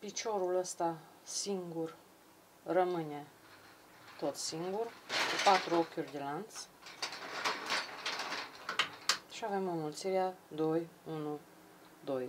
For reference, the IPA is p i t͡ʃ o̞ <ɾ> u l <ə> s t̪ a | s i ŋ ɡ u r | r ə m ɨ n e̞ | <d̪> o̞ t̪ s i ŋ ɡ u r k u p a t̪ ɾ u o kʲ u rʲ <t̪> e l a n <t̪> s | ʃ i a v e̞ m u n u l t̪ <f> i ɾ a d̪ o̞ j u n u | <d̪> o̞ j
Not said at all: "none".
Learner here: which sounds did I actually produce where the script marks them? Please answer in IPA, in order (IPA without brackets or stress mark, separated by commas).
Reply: ɾ, ə, t̪, d̪, t̪, s, d̪